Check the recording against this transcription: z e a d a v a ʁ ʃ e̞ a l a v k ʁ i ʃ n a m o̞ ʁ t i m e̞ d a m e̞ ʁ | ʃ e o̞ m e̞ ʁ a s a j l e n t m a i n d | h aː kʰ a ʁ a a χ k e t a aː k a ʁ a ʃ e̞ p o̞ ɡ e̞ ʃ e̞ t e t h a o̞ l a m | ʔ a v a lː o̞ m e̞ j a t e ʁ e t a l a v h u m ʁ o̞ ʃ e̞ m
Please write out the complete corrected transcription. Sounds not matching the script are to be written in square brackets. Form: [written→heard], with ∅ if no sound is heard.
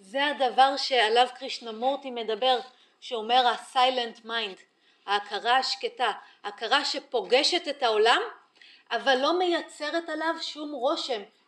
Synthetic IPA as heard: z e a d a v a ʁ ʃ e̞ a l a v k ʁ i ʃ n a m o̞ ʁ t i m e̞ d a [m→b] e̞ ʁ | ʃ e o̞ m e̞ ʁ a s a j l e n t m a [i→j] n d | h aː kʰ a ʁ a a [χ→ʃ] k e t a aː k a ʁ a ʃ e̞ p o̞ ɡ e̞ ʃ e̞ t e t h a o̞ l a m | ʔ a v a lː o̞ m e̞ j a [t→t͡s] e ʁ e t a l a v [h→ʃ] u m ʁ o̞ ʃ e̞ m